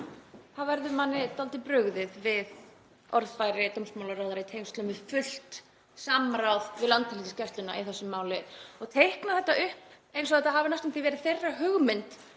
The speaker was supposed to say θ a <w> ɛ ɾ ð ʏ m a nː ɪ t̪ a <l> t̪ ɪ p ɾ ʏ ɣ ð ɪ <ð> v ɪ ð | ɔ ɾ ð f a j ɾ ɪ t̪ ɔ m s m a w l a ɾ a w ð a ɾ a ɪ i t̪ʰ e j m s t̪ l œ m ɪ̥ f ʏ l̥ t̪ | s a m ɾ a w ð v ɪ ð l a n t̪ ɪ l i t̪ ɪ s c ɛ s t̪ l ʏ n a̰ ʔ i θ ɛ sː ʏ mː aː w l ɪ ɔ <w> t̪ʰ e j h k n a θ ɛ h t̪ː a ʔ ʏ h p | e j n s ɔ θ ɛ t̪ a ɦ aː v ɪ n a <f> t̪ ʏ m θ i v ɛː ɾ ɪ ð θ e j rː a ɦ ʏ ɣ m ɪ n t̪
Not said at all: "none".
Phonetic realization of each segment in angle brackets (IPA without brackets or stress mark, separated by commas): v, l, ð, ɣ, s